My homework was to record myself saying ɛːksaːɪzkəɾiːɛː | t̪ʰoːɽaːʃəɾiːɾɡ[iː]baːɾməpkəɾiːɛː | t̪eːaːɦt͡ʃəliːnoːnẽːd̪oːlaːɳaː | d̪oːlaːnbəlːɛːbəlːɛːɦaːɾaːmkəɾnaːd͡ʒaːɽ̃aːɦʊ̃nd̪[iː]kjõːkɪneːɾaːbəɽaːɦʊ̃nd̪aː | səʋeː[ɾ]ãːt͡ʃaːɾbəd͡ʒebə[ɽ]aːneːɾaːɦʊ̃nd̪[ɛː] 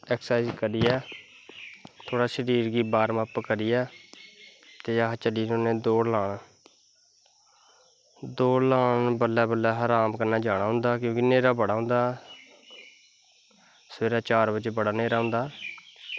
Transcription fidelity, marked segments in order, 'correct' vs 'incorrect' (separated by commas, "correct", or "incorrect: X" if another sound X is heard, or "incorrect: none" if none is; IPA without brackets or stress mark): correct, incorrect: aː, correct, correct, incorrect: aː